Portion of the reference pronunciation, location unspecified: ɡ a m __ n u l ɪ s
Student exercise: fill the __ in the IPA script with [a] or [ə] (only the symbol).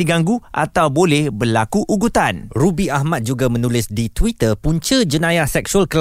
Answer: ə